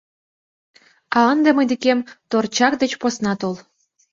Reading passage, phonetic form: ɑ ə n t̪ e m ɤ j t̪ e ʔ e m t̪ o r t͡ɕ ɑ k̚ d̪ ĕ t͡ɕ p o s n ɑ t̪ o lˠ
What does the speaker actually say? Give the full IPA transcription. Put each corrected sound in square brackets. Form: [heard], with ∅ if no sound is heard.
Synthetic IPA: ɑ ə n [d̪] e m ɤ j [d̪] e [k] e m t̪ o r t͡ɕ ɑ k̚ d̪ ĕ t͡ɕ p o s n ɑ t̪ o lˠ